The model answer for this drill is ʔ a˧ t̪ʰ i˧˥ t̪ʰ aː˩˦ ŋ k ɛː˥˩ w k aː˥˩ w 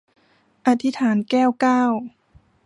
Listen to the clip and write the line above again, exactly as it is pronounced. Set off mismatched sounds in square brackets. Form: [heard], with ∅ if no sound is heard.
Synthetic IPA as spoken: ʔ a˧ t̪ʰ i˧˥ t̪ʰ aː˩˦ [n] k ɛː˥˩ w k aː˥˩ w